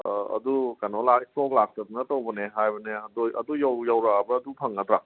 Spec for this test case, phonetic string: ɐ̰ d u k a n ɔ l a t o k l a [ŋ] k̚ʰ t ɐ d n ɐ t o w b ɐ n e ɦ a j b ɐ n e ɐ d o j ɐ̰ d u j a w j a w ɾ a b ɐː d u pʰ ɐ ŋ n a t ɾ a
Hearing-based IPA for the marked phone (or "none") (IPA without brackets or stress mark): none